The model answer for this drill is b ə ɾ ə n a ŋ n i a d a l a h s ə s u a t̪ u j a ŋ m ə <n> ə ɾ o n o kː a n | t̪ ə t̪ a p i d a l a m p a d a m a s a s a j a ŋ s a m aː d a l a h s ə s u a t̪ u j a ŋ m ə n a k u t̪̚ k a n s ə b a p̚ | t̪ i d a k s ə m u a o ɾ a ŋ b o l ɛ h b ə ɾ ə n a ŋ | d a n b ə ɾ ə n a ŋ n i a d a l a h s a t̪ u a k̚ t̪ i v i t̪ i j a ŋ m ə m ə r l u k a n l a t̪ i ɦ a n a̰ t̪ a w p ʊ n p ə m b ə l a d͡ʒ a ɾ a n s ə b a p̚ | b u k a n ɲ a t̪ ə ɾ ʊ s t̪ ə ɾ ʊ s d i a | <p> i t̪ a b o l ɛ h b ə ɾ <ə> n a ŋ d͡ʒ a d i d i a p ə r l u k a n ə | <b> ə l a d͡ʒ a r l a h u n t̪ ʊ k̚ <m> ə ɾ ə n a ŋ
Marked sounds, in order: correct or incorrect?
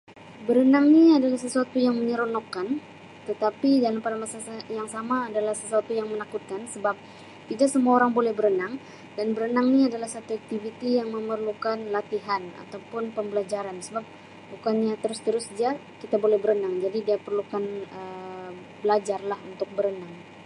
incorrect, incorrect, correct, correct, incorrect

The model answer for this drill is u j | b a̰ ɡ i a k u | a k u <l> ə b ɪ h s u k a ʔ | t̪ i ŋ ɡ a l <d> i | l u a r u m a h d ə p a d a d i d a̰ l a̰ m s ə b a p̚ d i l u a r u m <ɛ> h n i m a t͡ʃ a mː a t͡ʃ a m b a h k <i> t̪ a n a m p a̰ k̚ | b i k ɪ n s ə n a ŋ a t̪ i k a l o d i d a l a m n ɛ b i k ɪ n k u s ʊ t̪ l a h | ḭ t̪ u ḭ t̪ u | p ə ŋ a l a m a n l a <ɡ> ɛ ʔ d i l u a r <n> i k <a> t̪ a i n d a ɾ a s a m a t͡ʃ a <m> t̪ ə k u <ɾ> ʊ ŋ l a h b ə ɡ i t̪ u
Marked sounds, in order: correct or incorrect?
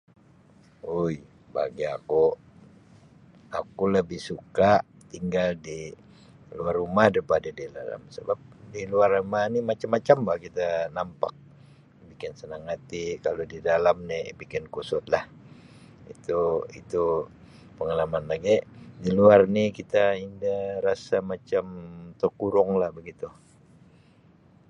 correct, correct, incorrect, correct, correct, correct, incorrect, correct, correct

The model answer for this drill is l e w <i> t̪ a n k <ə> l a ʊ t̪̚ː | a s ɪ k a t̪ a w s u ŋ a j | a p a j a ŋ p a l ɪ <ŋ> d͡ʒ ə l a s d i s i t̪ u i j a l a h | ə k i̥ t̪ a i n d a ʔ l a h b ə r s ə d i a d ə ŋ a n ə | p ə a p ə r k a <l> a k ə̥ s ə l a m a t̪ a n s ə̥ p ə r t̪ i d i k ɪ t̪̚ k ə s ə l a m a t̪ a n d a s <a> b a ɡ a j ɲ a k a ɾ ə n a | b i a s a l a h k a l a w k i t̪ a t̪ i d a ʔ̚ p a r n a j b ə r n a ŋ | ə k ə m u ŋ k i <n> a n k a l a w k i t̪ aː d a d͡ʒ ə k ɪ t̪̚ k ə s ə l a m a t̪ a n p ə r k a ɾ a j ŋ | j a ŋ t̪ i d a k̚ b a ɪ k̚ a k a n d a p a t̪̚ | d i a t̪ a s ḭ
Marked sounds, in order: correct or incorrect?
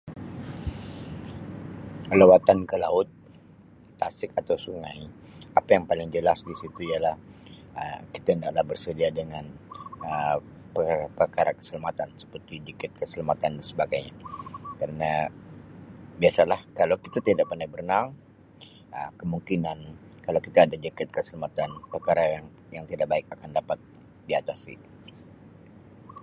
incorrect, correct, correct, incorrect, incorrect, correct

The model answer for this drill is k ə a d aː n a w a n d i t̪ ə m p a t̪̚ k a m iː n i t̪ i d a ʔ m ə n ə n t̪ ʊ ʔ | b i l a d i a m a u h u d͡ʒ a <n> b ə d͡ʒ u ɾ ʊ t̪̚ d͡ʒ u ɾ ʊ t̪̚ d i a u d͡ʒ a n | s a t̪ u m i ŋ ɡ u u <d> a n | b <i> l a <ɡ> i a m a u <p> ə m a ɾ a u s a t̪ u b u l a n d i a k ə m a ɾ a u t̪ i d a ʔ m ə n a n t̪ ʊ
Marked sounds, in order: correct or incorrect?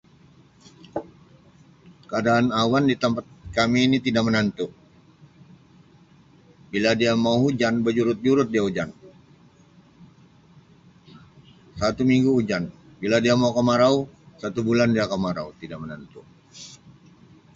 correct, incorrect, correct, incorrect, incorrect

